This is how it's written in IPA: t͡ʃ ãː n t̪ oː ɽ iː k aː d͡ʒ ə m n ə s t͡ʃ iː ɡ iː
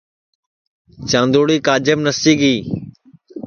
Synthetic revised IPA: t͡ʃ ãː n d̪ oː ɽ iː k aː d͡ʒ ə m n ə s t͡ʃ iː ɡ iː